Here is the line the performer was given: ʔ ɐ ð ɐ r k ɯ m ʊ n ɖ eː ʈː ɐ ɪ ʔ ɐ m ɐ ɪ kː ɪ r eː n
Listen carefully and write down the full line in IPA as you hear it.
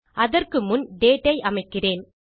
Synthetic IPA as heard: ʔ ɐ ð ɐ r k ɯ m ʊ n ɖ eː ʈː ɐ ɪ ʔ ɐ m ɐ ɪ kː ɪ r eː n